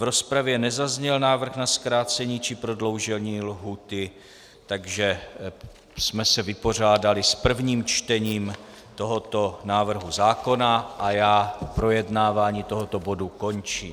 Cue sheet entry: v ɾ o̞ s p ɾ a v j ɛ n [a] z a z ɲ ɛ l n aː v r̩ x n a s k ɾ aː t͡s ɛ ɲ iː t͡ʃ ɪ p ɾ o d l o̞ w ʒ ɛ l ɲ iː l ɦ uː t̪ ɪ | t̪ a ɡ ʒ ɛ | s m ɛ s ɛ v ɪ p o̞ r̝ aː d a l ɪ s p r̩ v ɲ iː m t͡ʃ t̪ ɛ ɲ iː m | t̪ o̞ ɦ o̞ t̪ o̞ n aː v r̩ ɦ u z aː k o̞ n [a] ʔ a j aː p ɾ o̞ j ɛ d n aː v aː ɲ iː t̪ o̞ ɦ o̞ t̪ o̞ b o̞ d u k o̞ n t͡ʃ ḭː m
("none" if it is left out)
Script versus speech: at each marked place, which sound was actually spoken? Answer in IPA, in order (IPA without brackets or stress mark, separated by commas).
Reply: ɛ, a